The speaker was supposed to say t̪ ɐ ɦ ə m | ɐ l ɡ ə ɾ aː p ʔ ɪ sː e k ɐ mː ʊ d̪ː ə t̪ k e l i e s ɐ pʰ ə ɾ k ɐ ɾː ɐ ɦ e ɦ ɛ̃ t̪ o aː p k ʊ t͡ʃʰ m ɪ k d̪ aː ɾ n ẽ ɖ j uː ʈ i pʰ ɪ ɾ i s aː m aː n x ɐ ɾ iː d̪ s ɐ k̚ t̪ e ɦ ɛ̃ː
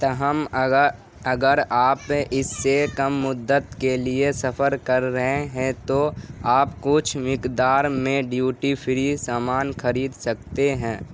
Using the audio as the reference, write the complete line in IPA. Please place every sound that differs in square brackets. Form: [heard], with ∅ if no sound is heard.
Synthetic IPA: t̪ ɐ ɦ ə m | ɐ [∅] ɡ ə ɾ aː p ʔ ɪ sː e k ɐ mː ʊ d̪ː ə t̪ k e l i e s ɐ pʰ ə ɾ k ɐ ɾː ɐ ɦ e ɦ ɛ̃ t̪ o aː p k ʊ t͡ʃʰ m ɪ k d̪ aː ɾ [m] ẽ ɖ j uː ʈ i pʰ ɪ ɾ i s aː m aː n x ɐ ɾ iː d̪ s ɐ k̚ t̪ e ɦ ɛ̃ː